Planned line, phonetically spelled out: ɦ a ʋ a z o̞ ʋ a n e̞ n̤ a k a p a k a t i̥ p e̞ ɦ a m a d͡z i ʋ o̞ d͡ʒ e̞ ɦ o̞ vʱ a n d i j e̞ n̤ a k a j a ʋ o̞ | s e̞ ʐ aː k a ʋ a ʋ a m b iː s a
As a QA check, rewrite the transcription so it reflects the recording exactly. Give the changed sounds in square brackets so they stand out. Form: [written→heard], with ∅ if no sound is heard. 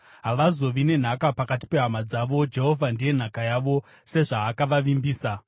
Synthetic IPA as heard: ɦ a ʋ a z o̞ ʋ [a→i] n e̞ n̤ a k a p a k a t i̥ p e̞ ɦ a m a d͡z [i→a] ʋ o̞ d͡ʒ e̞ ɦ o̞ vʱ a n d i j e̞ n̤ a k a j a ʋ o̞ | s e̞ ʐ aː k a ʋ a ʋ [a→i] m b iː s a